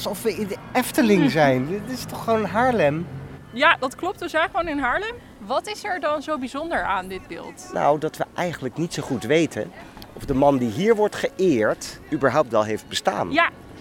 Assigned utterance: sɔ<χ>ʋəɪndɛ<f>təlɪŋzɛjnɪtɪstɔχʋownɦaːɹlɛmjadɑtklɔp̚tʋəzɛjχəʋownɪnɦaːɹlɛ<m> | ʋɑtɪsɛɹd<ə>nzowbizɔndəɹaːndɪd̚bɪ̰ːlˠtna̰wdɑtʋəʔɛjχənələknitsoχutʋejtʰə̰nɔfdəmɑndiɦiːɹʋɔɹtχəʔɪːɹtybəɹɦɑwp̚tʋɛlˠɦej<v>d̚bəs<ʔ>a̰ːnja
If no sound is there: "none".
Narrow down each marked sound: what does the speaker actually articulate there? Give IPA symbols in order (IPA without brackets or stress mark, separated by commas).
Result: f, f, m, ɑ, f, t